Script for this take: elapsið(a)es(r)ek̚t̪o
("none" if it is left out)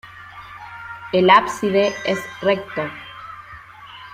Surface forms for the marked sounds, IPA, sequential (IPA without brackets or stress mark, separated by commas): e, r